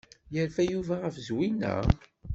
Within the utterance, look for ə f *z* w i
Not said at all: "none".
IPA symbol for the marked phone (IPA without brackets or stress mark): z